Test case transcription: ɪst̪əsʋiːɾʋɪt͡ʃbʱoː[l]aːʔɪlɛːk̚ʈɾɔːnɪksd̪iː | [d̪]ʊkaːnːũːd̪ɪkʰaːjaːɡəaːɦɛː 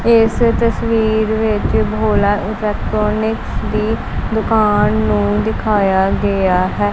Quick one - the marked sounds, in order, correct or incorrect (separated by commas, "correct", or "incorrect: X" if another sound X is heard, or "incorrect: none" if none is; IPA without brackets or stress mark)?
correct, correct